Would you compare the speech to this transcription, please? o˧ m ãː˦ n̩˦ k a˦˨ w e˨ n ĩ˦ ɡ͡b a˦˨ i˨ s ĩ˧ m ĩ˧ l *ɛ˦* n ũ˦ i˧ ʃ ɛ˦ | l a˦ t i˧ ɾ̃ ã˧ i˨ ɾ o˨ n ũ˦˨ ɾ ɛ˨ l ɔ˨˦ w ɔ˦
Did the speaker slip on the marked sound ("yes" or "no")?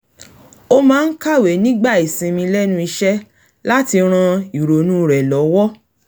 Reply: no